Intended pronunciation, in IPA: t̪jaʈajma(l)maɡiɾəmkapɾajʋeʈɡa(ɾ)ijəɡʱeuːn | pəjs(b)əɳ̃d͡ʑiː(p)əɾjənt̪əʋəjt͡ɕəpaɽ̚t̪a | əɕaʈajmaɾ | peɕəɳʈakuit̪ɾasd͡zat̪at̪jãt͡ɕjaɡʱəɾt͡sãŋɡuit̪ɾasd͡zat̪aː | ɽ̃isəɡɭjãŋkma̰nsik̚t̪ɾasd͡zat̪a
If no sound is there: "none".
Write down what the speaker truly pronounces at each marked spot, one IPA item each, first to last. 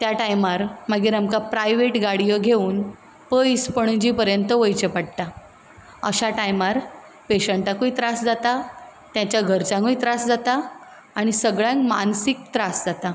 ɾ, ɽ, p, p

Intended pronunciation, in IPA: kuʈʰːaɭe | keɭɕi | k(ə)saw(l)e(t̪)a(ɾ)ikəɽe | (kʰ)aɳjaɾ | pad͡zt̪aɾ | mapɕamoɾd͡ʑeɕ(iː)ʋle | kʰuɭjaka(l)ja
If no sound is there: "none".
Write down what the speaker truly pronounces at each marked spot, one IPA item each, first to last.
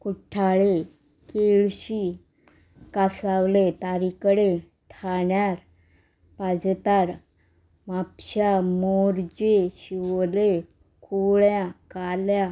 a, l, t̪, ɾ, ʈʰ, i, l

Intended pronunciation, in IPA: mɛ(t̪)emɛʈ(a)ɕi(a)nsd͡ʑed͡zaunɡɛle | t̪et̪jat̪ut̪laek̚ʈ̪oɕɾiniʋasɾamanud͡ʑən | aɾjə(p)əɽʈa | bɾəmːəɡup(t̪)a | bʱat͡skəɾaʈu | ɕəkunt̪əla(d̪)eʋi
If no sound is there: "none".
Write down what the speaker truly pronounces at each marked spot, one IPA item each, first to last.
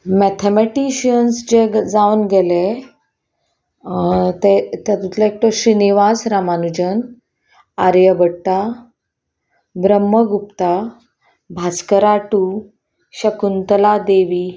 t̪ʰ, i, ə, b, t̪, d̪

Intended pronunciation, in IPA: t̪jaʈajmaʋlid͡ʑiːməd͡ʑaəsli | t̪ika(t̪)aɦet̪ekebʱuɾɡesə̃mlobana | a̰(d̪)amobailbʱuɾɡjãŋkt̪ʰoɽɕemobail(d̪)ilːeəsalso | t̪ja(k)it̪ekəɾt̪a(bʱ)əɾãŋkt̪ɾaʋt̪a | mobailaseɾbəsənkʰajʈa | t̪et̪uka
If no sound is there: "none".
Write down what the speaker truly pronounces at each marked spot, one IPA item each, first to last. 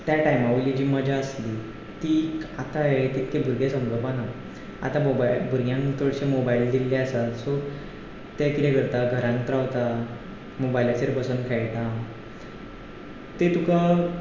t̪, t̪, d̪, k, ɡʱ

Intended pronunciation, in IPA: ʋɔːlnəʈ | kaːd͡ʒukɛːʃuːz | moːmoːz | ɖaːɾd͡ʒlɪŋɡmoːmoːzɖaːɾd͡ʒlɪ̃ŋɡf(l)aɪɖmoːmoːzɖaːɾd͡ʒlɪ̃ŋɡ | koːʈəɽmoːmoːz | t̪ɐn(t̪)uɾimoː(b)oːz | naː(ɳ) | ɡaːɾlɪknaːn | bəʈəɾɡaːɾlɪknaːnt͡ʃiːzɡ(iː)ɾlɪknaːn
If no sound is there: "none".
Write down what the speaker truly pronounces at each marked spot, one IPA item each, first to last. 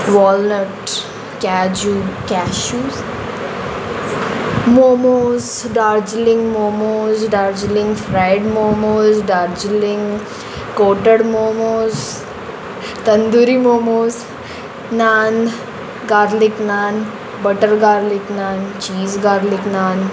ɾ, d̪, m, n, aː

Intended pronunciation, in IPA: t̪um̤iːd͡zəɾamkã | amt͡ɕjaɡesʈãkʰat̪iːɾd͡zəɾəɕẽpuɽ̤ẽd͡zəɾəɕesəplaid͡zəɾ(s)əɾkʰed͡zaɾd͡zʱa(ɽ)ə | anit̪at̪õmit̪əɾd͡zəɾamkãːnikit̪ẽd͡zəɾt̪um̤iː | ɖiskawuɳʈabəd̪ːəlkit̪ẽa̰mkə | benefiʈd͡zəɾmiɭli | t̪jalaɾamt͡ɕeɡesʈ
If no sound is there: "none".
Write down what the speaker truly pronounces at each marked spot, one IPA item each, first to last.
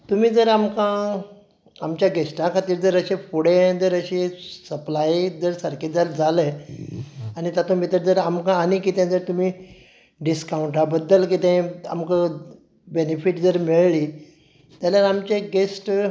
s, l

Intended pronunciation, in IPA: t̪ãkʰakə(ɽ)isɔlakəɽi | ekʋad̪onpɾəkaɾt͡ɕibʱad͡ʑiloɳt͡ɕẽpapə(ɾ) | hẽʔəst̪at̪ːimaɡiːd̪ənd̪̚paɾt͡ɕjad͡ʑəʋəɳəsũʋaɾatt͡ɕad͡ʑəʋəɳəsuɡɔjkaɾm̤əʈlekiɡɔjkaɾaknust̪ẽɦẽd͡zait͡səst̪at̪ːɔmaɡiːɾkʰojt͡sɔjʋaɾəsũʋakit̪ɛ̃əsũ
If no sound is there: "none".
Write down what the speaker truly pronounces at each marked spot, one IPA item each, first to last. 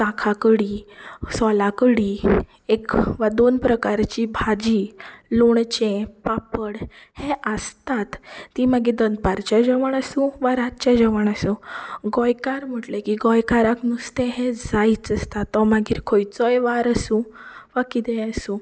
ɽ, ɽ

